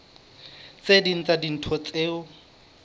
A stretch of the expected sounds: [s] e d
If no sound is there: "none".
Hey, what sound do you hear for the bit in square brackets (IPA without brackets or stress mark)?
t͡s